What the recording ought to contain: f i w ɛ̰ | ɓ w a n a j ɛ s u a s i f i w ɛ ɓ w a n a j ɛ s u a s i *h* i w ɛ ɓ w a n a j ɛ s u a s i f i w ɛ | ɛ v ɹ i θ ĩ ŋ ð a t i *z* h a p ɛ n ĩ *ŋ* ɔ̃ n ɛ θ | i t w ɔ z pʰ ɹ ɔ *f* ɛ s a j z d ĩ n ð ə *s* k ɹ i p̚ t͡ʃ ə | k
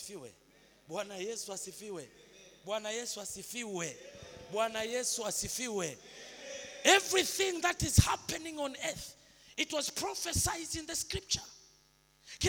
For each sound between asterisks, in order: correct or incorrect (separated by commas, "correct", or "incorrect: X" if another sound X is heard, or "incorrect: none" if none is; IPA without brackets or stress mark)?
incorrect: f, correct, correct, correct, correct